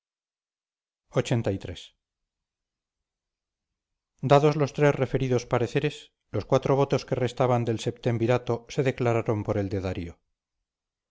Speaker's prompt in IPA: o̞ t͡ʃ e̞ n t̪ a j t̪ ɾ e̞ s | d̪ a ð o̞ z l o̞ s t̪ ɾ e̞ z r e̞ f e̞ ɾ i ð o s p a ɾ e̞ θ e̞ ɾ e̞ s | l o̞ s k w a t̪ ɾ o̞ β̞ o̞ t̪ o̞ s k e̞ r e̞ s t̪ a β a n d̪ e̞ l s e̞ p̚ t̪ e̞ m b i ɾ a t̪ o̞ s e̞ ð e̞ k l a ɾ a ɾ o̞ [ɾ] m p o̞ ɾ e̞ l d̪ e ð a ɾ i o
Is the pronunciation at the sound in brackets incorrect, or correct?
incorrect